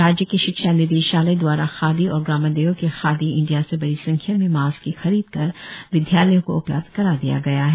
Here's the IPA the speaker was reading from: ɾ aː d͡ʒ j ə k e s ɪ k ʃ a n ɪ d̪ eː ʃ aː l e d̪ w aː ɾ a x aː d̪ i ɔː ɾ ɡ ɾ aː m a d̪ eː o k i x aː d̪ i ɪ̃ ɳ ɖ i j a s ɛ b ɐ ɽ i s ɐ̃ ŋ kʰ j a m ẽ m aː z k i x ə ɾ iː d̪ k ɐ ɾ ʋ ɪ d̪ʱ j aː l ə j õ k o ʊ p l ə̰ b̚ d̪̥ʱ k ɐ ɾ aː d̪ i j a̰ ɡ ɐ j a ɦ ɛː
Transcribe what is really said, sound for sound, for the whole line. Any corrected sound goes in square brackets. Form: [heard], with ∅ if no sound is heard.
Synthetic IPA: ɾ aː d͡ʒ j ə k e [ʃ] ɪ k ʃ a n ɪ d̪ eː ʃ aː l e d̪ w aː ɾ a x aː d̪ i ɔː ɾ ɡ ɾ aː m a d̪ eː o k [e] x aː d̪ i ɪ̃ ɳ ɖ i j a s [e] b ɐ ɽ i s ɐ̃ ŋ kʰ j a m ẽ m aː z k i x [ɐ] ɾ iː d̪ k ɐ ɾ ʋ ɪ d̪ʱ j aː l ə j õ k o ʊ p l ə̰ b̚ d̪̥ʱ k ɐ ɾ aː d̪ i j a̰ ɡ ɐ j a ɦ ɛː